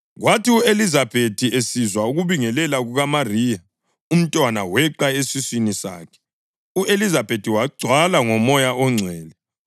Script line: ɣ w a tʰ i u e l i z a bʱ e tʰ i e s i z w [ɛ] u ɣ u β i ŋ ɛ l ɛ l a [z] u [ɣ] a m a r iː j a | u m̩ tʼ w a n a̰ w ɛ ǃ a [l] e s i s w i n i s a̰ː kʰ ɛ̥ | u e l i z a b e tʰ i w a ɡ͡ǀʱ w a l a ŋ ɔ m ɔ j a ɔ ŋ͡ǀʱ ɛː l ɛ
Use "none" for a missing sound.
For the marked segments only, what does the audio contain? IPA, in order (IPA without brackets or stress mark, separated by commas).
a, ɣ, ɣ, none